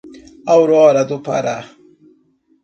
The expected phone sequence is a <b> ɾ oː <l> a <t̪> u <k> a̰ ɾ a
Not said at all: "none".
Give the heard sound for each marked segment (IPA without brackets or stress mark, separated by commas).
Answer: w, ɾ, d̪, p